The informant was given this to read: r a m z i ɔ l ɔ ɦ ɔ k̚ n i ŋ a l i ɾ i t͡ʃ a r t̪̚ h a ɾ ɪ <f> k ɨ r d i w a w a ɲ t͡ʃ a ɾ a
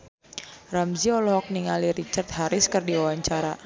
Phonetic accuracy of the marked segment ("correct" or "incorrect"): incorrect